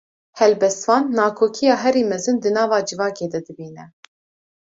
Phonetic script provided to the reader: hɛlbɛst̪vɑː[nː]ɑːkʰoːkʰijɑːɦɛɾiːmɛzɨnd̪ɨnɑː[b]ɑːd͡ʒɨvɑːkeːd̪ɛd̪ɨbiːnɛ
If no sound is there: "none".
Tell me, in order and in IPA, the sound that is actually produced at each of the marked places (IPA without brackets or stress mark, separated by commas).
nː, v